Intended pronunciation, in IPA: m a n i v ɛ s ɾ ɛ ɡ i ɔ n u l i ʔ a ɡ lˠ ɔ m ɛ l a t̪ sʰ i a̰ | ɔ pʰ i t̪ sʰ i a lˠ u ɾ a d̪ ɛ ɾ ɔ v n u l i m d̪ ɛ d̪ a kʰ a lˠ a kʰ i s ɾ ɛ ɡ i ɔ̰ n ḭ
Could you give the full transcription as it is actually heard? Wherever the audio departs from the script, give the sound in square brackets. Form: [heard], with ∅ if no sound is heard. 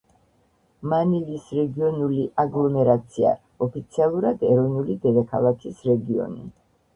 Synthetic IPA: m a n i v [i] s ɾ ɛ ɡ i ɔ n u l i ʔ a ɡ lˠ ɔ m ɛ [ɾ] a t̪ sʰ i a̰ | ɔ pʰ i t̪ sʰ i a lˠ u ɾ a d̪ ɛ ɾ ɔ v n u l i [∅] d̪ ɛ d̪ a kʰ a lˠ a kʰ i s ɾ ɛ ɡ i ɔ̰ n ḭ